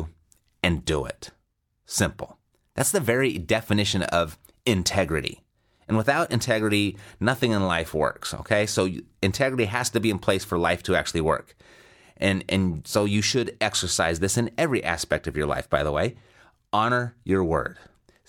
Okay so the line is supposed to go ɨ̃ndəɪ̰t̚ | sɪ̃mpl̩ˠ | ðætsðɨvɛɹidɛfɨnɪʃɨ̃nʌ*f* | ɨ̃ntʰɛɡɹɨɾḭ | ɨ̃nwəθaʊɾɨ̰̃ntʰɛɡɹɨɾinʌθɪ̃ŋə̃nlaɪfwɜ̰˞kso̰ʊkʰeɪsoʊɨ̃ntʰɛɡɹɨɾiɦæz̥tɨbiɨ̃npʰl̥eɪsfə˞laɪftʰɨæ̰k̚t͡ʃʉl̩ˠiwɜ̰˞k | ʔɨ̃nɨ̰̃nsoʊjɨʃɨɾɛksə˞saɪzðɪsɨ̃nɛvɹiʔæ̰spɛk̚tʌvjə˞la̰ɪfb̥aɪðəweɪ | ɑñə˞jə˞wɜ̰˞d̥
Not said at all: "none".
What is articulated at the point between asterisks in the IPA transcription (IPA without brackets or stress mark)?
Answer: v